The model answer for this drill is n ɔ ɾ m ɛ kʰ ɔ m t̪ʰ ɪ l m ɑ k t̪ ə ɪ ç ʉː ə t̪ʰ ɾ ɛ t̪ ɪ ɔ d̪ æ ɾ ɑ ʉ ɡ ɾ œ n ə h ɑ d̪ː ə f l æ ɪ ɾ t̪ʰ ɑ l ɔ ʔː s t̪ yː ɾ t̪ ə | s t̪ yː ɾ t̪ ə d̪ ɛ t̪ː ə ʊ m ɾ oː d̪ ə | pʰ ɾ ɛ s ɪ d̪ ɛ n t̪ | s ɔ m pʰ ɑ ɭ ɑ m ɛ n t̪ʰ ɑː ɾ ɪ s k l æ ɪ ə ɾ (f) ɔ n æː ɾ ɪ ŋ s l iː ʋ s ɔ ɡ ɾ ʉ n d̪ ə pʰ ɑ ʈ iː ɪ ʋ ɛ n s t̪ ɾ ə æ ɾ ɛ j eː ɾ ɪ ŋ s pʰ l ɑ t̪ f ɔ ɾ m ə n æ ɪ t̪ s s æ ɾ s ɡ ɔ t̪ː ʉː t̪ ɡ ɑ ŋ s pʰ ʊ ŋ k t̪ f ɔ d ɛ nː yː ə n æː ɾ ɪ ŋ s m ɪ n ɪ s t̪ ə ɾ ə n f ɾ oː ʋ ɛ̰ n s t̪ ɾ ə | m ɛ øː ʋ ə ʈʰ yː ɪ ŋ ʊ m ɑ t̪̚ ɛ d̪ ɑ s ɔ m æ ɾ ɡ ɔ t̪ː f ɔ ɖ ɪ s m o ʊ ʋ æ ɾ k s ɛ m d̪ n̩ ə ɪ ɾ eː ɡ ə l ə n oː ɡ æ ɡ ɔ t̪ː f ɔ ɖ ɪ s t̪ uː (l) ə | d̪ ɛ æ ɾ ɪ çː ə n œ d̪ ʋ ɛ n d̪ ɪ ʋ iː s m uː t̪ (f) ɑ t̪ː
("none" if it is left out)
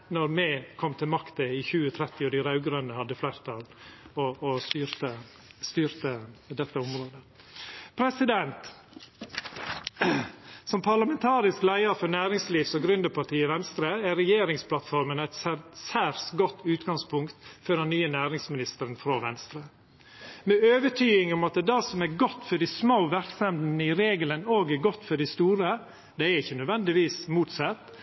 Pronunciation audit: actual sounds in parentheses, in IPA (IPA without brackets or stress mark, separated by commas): f, ɾ, s